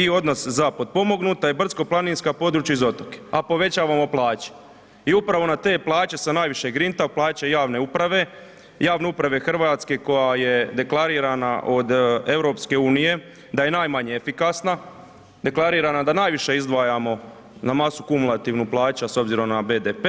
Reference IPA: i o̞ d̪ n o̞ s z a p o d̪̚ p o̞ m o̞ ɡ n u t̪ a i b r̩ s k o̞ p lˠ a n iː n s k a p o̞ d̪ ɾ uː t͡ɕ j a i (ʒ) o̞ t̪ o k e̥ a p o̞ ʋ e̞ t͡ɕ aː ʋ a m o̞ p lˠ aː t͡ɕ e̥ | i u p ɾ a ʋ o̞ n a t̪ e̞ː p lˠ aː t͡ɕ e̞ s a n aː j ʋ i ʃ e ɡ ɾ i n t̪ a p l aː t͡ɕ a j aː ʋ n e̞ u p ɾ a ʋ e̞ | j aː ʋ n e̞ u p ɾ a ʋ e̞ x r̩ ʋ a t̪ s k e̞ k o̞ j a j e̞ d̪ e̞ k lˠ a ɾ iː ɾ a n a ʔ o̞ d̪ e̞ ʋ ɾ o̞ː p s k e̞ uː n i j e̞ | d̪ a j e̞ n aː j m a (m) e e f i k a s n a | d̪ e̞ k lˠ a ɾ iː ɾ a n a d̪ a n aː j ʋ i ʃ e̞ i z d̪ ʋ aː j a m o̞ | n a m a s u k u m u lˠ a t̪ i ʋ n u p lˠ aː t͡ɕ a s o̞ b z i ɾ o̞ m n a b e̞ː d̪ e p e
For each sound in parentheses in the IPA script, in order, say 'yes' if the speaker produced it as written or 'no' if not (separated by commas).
no, no